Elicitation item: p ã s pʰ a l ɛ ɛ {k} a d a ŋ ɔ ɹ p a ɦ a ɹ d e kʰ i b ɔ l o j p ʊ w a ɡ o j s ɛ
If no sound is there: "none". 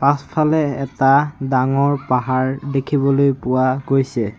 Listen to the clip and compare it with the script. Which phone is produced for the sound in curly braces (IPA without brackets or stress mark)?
t